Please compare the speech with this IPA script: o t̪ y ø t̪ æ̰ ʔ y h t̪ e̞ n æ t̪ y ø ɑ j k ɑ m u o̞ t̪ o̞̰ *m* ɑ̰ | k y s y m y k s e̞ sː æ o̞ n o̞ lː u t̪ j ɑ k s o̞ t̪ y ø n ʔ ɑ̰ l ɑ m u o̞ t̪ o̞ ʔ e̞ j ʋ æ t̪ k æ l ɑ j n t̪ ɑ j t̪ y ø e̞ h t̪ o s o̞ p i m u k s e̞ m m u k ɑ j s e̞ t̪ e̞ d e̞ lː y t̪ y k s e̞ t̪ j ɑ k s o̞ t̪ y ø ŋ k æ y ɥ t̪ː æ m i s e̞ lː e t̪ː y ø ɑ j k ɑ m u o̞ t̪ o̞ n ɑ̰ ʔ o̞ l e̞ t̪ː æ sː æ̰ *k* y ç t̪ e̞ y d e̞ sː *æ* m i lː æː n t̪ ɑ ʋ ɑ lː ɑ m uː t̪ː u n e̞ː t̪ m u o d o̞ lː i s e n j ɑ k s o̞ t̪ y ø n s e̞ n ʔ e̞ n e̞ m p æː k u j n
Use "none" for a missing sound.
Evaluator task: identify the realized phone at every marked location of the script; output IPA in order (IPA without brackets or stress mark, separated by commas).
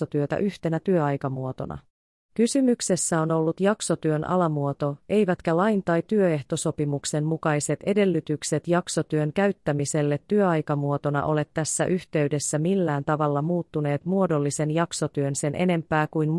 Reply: n, ʔ, æ